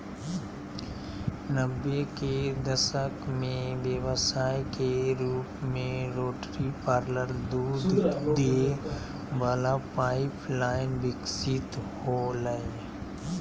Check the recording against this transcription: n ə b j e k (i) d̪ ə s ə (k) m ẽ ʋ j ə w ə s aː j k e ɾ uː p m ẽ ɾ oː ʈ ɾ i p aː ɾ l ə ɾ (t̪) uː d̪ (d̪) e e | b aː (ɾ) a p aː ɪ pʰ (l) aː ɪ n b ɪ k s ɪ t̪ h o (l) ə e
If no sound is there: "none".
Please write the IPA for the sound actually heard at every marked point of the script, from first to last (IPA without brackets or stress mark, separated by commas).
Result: e, k, d̪, d̪, l, l, l